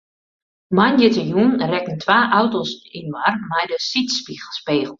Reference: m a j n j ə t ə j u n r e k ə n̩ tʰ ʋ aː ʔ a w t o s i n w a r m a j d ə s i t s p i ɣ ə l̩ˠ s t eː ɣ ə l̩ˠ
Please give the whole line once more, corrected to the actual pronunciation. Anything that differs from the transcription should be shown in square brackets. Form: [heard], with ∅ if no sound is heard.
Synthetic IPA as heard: m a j n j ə t ə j u n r [ɛ] k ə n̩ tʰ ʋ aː ʔ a w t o s i n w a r m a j d ə s i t s p i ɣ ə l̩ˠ s [p] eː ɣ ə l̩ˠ